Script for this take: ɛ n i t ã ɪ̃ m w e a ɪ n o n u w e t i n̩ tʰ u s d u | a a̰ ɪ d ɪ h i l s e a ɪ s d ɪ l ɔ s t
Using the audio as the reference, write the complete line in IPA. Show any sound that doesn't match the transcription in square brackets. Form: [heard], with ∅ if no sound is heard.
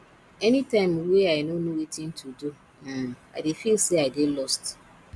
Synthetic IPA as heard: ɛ n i t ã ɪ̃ m w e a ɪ n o n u w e t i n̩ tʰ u [∅] d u | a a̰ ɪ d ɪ [f] i l s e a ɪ [∅] d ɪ l ɔ s t

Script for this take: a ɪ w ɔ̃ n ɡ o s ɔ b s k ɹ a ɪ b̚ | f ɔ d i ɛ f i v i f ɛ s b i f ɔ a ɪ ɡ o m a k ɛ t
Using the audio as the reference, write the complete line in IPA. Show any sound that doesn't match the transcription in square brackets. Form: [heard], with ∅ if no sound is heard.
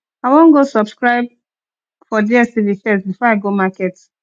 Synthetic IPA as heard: a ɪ w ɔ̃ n ɡ o s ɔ b s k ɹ a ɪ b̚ | f ɔ d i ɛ [s] i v i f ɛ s b i f ɔ a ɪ ɡ o m a k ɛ t

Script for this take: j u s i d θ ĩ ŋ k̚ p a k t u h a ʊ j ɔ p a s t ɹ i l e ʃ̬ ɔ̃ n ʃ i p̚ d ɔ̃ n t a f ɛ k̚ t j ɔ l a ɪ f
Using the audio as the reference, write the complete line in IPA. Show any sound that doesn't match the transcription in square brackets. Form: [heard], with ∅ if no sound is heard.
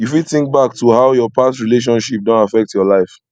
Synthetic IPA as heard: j u [f] i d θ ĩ ŋ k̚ [b] a k t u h a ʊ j ɔ p a s t ɹ i l e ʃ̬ ɔ̃ n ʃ i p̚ d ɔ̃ n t a f ɛ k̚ t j ɔ l a ɪ f

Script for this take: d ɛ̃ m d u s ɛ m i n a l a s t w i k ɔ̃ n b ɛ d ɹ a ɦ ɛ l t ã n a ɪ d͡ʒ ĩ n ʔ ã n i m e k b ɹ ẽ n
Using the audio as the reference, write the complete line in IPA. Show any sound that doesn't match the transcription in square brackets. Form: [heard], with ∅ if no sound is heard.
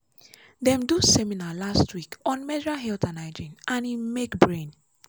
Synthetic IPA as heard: d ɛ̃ m d u s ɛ m i n a l a s t w i k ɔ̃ n [m] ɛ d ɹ a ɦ ɛ l t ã n a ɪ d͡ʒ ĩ n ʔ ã n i m e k b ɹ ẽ n

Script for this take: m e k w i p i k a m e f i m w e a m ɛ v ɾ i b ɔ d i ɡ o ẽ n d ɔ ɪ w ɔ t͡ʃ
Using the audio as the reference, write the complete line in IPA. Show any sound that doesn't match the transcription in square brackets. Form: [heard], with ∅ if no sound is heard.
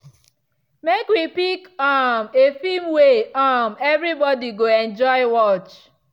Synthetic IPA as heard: m e k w i p i k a m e f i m w e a m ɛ v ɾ i b ɔ d i ɡ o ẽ n [d͡ʒ] ɔ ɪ w ɔ t͡ʃ

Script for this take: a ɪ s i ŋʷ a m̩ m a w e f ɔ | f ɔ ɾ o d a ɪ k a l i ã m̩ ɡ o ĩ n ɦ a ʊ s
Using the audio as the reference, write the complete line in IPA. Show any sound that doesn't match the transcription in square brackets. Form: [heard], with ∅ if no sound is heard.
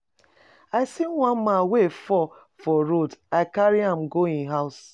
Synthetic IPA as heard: a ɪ s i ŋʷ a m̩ m a w e f ɔ | f ɔ ɾ o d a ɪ k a [ɾ] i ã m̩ ɡ o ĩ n ɦ a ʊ s

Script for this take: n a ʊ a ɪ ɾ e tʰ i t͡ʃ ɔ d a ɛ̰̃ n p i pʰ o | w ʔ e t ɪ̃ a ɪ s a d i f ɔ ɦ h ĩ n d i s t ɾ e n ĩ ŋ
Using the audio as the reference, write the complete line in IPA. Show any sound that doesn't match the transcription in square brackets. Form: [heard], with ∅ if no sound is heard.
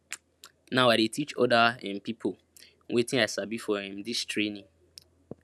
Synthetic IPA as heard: n a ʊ a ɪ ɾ e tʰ i t͡ʃ ɔ d a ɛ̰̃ n p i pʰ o | w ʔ e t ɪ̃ a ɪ s a [b] i f ɔ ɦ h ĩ [m] d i s t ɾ e n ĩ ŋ

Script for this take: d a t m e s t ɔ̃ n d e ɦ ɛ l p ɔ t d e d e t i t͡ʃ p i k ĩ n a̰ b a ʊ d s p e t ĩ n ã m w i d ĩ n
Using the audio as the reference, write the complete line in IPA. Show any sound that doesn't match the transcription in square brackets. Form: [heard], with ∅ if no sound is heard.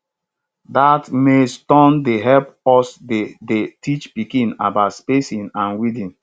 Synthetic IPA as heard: d a t m e s t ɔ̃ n d e ɦ ɛ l p ɔ [s] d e d e t i t͡ʃ p i k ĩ n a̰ b a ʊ [t] s p e [s] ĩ n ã [n] w i d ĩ n

